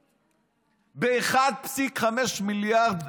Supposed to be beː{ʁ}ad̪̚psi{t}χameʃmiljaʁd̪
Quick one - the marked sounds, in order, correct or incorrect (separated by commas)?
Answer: incorrect, incorrect